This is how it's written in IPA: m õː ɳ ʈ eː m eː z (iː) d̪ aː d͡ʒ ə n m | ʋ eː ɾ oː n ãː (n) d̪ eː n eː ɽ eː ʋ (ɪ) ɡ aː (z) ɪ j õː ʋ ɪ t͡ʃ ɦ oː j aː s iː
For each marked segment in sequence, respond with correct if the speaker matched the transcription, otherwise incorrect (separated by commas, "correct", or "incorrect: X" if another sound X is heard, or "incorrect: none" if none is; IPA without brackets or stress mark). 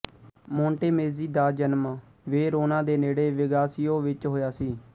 correct, incorrect: none, correct, incorrect: s